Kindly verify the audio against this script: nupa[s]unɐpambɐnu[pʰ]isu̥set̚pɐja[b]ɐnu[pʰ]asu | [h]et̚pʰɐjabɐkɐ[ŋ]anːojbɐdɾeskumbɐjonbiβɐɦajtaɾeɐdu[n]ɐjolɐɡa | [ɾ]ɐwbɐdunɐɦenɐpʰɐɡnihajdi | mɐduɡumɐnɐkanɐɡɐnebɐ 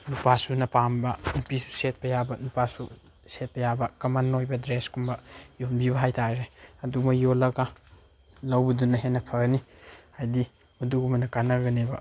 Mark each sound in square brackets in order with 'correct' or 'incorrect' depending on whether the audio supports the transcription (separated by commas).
correct, incorrect, correct, incorrect, incorrect, incorrect, incorrect, incorrect